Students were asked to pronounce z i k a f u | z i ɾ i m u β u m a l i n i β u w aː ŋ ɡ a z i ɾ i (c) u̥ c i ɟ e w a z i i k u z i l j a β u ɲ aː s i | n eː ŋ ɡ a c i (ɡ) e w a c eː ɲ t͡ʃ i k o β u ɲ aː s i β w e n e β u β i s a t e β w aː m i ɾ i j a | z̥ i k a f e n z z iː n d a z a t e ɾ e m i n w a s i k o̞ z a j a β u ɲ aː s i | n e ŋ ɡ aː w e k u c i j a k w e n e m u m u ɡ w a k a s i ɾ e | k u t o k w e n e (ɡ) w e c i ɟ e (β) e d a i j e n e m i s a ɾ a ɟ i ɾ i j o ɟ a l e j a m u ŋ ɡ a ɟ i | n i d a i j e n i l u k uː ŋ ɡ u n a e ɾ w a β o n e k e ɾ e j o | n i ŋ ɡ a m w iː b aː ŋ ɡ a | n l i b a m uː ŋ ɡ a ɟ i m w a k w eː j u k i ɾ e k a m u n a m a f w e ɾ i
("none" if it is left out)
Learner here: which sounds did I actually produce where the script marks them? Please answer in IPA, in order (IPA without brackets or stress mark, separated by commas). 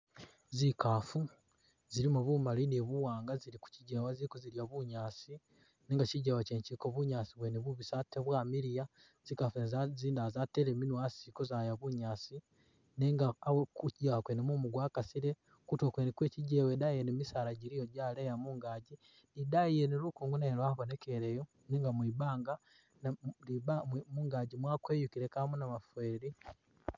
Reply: k, ɟ, k, w